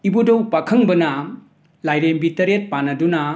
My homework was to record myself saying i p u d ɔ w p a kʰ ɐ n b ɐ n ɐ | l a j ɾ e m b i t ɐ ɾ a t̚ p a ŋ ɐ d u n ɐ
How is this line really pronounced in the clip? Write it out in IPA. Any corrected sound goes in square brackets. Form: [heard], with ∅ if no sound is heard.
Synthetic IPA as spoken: i [b] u d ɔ w p a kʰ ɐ [ŋ] b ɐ n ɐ | l a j ɾ e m b i t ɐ ɾ [e] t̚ p a [n] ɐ d u n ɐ